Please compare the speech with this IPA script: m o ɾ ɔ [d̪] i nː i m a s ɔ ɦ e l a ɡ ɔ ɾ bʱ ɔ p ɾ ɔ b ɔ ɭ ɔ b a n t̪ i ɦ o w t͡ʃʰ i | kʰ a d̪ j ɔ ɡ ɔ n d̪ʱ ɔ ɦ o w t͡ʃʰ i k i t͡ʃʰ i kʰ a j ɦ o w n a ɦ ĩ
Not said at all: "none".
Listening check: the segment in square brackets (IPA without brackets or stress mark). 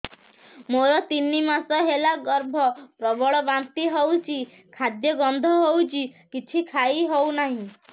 t̪